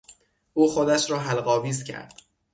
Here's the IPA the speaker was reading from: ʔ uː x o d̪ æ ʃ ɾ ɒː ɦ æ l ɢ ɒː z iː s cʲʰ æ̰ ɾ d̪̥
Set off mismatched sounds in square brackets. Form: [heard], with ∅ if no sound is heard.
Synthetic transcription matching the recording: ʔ uː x o d̪ æ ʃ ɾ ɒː ɦ æ l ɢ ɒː [v] iː [z] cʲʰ æ̰ ɾ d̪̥